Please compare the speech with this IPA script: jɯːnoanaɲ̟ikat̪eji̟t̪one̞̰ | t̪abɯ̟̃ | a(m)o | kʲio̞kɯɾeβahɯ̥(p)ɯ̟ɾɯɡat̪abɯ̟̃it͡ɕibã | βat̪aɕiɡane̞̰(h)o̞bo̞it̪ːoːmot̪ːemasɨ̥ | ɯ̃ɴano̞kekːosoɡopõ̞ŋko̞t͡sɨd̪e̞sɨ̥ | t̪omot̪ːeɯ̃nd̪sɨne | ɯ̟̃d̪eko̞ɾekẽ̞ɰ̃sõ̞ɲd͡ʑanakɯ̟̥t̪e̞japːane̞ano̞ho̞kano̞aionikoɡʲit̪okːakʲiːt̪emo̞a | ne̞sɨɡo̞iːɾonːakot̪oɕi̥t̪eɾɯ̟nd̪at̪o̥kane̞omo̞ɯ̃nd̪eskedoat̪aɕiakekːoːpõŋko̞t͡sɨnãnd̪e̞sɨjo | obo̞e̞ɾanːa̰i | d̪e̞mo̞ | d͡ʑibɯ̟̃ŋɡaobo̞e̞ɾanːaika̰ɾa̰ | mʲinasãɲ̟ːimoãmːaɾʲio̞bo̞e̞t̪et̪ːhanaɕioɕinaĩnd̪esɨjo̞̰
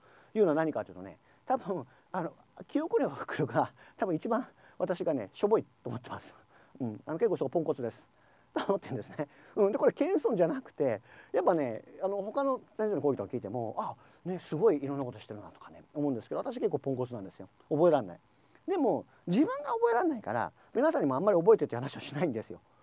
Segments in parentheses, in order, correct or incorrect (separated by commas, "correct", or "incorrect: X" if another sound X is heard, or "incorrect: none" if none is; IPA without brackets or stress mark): incorrect: n, incorrect: k, incorrect: ɕ